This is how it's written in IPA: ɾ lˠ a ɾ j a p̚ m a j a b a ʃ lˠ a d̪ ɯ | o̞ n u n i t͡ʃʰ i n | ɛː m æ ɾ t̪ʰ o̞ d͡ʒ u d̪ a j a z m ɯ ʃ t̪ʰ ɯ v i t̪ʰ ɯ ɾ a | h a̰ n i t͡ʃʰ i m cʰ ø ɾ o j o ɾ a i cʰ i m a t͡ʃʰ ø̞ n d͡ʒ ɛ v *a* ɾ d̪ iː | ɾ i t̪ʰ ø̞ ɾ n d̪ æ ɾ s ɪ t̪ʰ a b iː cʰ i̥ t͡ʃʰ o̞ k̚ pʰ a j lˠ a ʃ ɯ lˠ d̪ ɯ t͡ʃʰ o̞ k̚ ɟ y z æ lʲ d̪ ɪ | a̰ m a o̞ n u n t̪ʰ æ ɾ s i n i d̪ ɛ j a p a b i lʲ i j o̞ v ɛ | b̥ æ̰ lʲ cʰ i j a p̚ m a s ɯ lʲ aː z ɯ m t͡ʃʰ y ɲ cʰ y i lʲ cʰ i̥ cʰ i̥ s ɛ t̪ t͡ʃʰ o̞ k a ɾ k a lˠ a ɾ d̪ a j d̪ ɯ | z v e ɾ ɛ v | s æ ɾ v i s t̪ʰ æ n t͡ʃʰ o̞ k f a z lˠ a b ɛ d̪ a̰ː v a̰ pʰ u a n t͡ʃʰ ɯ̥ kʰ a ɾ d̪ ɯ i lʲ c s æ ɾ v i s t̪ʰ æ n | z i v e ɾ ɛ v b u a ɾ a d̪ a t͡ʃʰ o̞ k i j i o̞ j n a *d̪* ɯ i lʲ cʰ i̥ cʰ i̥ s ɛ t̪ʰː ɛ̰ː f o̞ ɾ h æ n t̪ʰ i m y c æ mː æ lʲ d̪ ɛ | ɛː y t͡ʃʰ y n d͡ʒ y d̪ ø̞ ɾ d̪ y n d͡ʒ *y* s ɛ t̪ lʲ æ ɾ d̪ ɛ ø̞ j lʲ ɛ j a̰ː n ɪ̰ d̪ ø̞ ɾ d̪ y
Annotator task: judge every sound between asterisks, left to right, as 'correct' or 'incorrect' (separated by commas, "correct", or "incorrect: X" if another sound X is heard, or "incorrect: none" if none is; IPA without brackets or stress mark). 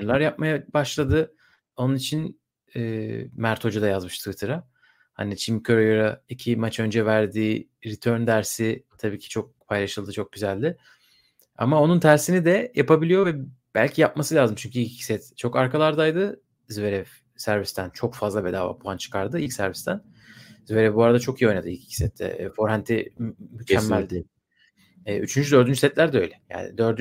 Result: incorrect: æ, correct, correct